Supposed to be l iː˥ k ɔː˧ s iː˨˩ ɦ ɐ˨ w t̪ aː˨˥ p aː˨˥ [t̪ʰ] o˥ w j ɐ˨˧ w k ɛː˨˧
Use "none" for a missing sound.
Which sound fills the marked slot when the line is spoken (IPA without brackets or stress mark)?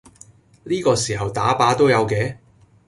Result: t̪